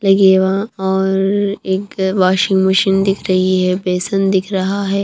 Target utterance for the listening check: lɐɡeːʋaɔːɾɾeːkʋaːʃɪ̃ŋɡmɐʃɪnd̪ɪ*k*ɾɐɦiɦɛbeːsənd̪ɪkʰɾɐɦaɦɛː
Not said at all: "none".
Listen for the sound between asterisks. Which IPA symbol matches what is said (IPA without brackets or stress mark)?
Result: kʰ